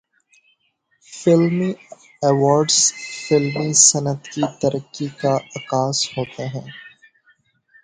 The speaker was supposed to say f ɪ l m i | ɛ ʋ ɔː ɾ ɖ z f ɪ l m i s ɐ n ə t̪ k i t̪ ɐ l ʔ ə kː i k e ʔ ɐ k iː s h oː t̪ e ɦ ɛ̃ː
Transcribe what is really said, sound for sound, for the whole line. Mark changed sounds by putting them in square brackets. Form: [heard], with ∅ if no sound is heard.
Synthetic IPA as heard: f ɪ l m i | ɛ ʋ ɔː ɾ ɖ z f ɪ l m i s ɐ n ə t̪ k i t̪ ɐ [ɾ] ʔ ə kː i k [a] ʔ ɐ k [aː] s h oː t̪ e ɦ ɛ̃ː